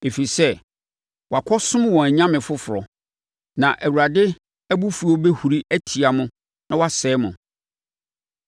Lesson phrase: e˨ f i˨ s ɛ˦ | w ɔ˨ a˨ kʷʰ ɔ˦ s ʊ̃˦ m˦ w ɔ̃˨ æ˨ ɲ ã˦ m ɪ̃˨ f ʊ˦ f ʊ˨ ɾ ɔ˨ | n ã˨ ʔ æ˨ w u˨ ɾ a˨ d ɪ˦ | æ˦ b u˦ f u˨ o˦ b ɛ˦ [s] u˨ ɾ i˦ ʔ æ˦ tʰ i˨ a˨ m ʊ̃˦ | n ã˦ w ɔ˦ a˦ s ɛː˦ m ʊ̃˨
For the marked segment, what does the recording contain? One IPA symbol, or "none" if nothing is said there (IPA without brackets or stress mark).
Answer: h